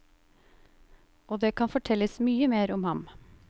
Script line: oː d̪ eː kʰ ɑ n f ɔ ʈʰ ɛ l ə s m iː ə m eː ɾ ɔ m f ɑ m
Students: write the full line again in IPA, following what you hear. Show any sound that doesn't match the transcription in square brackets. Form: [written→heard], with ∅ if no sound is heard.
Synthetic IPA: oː d̪ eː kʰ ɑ n f ɔ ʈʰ ɛ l ə s m [iː→yː] ə m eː ɾ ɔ m [f→h] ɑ m